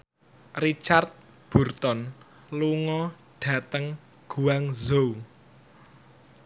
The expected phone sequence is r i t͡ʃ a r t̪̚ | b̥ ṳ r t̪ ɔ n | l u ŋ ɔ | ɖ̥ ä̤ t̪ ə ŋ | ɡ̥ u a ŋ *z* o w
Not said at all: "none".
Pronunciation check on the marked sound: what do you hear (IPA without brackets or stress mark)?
z